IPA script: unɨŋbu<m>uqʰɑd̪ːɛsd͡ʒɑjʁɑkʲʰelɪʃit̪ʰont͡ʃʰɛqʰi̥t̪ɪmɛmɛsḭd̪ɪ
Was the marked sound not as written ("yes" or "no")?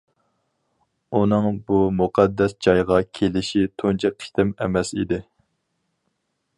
no